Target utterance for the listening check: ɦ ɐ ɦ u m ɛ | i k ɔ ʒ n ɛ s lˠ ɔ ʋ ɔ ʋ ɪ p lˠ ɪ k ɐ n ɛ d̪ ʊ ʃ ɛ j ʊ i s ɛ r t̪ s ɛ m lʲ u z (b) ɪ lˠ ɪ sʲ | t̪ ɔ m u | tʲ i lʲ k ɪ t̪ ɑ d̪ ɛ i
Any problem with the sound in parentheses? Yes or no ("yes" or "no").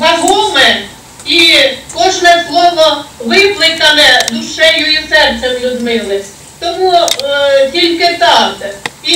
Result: yes